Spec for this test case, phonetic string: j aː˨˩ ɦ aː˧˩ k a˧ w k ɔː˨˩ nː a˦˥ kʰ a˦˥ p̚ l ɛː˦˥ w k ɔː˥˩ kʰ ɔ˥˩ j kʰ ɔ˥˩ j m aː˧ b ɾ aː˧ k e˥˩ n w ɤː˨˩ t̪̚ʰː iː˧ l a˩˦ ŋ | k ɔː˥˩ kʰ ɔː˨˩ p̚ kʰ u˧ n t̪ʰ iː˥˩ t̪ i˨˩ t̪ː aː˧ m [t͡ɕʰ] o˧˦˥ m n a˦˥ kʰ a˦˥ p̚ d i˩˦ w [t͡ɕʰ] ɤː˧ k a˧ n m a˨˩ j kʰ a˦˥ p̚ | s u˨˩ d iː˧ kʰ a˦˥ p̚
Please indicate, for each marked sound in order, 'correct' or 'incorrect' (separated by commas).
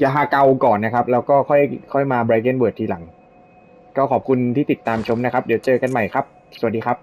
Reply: correct, incorrect